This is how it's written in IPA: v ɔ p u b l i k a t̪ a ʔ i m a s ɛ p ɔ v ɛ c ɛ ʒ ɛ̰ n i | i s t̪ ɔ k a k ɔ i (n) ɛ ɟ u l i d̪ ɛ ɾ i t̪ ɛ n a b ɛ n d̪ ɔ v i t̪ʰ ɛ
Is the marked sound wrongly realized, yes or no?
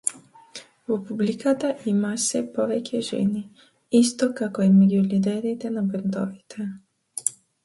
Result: yes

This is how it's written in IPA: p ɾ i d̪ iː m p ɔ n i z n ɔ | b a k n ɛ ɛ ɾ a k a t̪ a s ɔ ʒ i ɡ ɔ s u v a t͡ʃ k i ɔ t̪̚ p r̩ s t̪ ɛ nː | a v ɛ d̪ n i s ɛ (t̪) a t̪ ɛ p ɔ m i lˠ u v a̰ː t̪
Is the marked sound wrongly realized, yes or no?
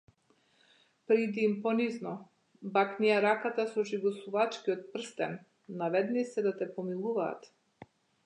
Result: yes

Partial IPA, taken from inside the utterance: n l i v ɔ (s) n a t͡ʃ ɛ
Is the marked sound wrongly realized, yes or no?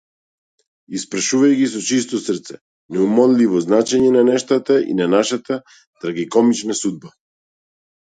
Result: yes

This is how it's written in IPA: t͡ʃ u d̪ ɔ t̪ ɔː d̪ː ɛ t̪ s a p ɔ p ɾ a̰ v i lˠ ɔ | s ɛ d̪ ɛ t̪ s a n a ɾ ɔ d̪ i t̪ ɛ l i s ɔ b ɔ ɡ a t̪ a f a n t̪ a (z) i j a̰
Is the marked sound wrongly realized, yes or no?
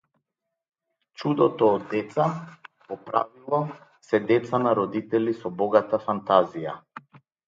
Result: no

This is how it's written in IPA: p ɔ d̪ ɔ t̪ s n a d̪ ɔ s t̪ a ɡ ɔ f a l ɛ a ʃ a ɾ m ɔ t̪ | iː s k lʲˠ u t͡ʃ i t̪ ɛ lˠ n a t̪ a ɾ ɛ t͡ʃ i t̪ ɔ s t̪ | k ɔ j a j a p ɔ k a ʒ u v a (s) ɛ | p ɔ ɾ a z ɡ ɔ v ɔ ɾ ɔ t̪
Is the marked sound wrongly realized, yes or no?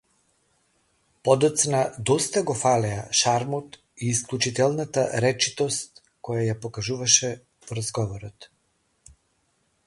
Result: yes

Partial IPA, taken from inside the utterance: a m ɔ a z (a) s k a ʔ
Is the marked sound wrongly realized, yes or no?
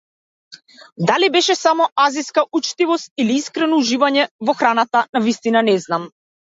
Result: yes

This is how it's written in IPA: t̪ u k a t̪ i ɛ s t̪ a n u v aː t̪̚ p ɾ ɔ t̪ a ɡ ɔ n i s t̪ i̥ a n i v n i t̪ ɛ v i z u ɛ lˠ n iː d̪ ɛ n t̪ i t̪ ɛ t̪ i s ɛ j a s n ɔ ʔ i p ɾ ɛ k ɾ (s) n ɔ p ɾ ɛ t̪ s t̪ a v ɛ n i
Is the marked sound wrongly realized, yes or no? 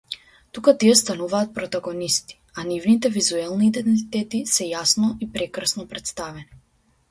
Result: no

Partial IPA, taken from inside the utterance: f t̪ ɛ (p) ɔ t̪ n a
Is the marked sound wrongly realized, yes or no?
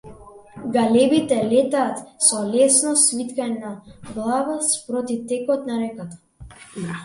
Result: yes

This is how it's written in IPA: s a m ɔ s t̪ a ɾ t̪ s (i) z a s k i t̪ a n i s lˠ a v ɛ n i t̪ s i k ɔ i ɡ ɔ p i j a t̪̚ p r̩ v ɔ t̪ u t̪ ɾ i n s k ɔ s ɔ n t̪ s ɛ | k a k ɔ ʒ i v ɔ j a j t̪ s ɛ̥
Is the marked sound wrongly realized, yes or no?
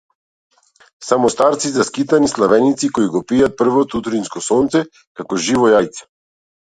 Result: no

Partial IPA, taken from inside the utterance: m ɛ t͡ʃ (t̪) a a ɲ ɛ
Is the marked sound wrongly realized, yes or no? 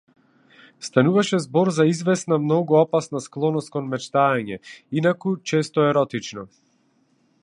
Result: no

